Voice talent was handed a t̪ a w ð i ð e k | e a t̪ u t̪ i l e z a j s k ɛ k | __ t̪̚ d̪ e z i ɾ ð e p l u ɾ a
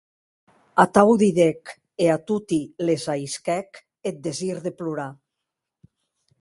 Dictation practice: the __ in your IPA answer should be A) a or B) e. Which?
B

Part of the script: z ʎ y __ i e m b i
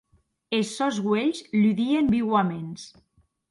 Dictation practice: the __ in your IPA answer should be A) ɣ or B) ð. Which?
B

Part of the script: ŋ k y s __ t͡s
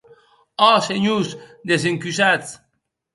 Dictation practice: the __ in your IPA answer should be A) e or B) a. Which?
B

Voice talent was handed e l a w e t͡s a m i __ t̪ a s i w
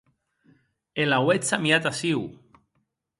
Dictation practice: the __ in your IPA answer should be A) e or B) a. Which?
B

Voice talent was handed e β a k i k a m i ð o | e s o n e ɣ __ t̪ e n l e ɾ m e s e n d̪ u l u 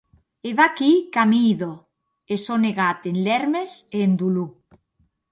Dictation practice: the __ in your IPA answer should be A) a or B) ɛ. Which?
A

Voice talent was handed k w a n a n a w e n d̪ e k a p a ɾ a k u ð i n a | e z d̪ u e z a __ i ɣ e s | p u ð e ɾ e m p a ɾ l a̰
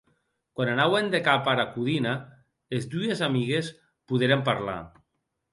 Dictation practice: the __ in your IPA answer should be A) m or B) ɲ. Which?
A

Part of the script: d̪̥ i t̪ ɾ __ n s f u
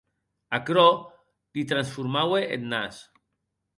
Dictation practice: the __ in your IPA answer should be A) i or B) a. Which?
B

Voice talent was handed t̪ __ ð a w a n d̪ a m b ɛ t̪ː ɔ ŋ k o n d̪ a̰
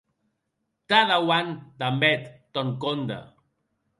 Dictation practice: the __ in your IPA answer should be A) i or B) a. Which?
B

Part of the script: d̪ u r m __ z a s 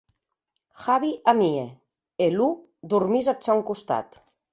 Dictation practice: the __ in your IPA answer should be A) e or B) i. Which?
B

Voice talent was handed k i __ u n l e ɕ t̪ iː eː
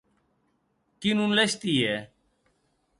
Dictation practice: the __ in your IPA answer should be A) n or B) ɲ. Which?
A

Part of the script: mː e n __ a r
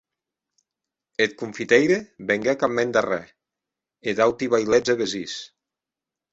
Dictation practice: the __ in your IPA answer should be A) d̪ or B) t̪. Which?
A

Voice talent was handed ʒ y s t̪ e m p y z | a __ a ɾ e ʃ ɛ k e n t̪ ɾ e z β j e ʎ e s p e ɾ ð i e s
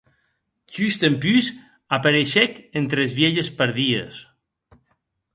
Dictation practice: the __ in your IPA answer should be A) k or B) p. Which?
B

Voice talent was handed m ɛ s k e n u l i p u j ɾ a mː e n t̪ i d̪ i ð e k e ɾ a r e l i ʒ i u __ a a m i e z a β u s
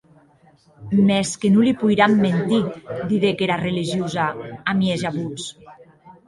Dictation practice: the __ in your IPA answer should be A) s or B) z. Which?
B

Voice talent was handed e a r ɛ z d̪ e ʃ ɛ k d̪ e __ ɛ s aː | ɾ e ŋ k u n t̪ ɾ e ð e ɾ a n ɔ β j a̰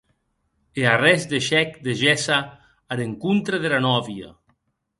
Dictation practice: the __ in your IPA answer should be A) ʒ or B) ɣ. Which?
A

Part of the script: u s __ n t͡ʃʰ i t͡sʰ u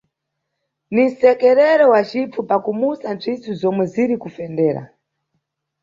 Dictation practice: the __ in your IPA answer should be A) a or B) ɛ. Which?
A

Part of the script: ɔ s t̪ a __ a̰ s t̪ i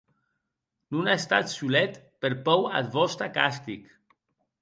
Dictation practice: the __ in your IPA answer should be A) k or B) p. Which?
A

